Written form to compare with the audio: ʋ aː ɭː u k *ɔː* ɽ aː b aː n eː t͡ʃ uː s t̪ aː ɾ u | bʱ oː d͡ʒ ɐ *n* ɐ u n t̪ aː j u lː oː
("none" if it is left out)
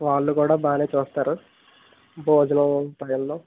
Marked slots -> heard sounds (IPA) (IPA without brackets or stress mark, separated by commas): uː, n